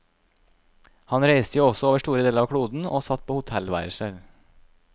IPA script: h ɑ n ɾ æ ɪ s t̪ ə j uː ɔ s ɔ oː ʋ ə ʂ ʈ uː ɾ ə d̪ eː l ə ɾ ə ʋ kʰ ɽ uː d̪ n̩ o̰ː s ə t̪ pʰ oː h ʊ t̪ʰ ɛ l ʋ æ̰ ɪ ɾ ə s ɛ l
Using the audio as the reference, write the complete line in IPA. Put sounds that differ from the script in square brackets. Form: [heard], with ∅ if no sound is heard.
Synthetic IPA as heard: h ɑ n ɾ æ ɪ s t̪ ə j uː ɔ s ɔ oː ʋ ə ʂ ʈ uː ɾ ə d̪ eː l ə ɾ [ɑ] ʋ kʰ ɽ uː d̪ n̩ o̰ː s [ɑ] t̪ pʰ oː h ʊ t̪ʰ ɛ l ʋ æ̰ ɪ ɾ ə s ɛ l